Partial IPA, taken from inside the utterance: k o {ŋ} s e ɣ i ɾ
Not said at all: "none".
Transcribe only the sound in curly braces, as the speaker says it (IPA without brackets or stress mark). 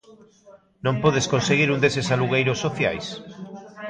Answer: n